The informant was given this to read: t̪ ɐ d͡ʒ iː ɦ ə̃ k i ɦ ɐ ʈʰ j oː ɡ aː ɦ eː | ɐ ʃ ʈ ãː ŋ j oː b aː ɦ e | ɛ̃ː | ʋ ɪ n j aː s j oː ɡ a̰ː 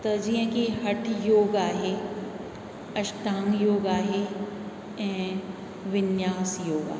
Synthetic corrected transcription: t̪ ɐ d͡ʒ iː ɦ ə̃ k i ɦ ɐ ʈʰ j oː ɡ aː ɦ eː | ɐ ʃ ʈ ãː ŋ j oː ɡ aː ɦ e | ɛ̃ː | ʋ ɪ n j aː s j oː ɡ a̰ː